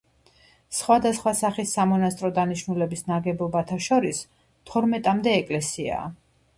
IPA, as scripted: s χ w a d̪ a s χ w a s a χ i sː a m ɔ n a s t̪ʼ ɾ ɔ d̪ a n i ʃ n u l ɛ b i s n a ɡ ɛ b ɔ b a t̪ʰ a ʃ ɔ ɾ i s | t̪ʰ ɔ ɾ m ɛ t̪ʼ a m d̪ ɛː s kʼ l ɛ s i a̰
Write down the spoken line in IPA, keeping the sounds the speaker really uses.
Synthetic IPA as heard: s χ w a d̪ a s χ w a s a χ i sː a m ɔ n a s t̪ʼ ɾ ɔ d̪ a n i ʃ n u l ɛ b i s n a ɡ ɛ b ɔ b a t̪ʰ a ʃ ɔ ɾ i s | t̪ʰ ɔ ɾ m ɛ t̪ʼ a m d̪ ɛː kʼ l ɛ s i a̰